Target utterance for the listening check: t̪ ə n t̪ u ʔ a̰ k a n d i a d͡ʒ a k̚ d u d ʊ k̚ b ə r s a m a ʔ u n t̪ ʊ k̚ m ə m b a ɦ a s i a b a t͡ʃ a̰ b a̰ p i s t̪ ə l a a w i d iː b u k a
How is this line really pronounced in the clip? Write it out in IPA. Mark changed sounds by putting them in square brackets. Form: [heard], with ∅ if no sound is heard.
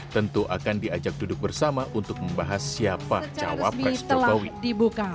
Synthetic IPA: t̪ ə n t̪ u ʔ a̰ k a n d i a d͡ʒ a k̚ d u d ʊ k̚ b ə r s a m a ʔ u n t̪ ʊ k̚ m ə m b a ɦ a s i a [p] a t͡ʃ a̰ [w] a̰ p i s t̪ ə l a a w i d [i] b u k a